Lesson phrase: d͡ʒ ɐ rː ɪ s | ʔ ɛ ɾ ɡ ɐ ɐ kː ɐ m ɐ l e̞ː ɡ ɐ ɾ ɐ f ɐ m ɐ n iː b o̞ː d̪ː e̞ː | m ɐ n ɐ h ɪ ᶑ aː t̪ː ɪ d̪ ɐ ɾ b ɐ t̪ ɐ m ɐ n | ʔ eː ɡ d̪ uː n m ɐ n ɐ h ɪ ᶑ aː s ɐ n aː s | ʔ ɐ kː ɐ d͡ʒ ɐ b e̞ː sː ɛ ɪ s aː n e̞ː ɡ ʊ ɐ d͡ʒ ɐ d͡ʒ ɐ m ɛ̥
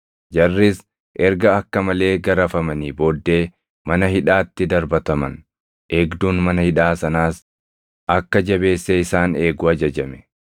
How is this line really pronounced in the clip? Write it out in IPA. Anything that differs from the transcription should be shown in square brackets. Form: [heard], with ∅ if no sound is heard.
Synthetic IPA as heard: d͡ʒ ɐ rː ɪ s | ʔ ɛ ɾ ɡ ɐ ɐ kː ɐ m ɐ l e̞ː ɡ ɐ ɾ ɐ f ɐ m ɐ n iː b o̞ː d̪ː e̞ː | m ɐ n ɐ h ɪ ᶑ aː t̪ː ɪ d̪ ɐ ɾ b ɐ t̪ ɐ m ɐ n | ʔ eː ɡ d̪ uː n m ɐ n ɐ h ɪ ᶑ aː s ɐ n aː s | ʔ ɐ kː ɐ d͡ʒ ɐ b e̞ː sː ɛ ɪ s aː n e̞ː ɡ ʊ ɐ d͡ʒ ɐ d͡ʒ ɐ m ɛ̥